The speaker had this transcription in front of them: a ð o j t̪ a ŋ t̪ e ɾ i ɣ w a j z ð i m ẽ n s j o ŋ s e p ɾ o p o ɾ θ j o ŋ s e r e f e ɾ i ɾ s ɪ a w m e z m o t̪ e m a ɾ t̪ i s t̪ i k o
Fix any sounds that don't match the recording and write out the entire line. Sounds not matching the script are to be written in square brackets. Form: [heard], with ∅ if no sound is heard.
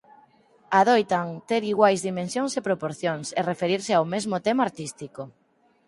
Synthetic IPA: a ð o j t̪ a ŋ t̪ e ɾ i ɣ w a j z ð i m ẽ n s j o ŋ s e p ɾ o p o ɾ θ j o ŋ s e r e f e ɾ i ɾ s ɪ a w m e z m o t̪ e m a ɾ t̪ i s t̪ i k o

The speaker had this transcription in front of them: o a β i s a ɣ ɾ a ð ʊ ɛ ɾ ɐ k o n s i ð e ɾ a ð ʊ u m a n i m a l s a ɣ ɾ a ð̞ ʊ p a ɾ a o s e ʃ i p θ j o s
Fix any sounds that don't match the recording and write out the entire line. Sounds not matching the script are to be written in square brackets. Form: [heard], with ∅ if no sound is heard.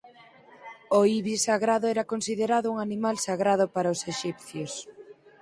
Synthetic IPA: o [i] β i s a ɣ ɾ a ð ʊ ɛ ɾ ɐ k o n s i ð e ɾ a ð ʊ u [ŋ] a n i m a l s a ɣ ɾ a ð̞ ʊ p a ɾ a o s e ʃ i p θ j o s

